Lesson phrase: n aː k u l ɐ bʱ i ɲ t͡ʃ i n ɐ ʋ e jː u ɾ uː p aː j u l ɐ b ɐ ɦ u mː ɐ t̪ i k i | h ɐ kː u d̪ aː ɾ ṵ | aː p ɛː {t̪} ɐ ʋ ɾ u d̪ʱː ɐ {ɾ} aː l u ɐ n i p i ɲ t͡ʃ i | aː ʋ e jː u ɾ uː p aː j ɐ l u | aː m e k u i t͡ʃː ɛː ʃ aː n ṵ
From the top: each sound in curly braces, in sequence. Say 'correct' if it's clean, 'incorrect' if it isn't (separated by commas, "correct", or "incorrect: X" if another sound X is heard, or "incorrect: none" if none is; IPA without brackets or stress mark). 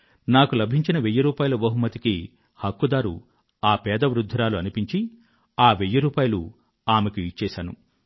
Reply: incorrect: d̪, correct